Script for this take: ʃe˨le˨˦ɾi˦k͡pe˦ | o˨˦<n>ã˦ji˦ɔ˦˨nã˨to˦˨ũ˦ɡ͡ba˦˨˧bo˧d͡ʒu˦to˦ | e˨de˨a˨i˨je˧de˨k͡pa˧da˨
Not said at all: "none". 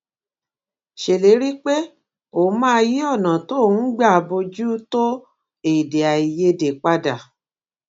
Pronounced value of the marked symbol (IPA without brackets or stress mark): m